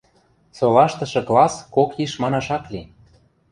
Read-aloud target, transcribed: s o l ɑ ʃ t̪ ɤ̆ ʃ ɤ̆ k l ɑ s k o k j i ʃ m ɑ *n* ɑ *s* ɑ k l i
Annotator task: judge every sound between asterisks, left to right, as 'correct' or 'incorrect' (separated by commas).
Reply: correct, incorrect